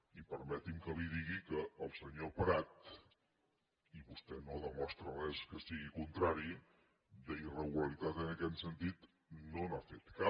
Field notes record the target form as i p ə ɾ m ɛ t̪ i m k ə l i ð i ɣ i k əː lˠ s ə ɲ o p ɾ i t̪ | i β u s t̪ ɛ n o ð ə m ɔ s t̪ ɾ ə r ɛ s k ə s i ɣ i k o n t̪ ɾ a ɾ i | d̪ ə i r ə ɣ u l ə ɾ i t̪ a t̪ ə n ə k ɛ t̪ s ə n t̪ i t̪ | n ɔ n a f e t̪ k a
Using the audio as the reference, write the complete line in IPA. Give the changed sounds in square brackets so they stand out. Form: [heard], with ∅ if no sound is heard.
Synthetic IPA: i p ə ɾ m ɛ t̪ i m k ə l i ð i ɣ i k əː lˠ s ə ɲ o p ɾ [a] t̪ | i β u s t̪ ɛ n o ð ə m ɔ s t̪ ɾ ə r ɛ s k ə s i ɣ i k [u] n t̪ ɾ a ɾ i | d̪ ə i r ə ɣ u l ə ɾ i t̪ a t̪ ə n ə k ɛ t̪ s ə n t̪ i t̪ | n [o] n a f e t̪ k a